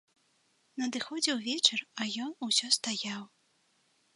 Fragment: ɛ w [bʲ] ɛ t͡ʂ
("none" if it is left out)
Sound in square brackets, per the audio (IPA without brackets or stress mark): vʲ